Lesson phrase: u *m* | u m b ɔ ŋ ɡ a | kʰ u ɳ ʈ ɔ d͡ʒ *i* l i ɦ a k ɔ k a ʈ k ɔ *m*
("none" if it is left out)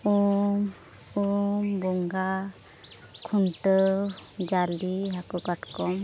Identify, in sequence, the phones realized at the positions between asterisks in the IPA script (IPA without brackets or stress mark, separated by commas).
m, a, m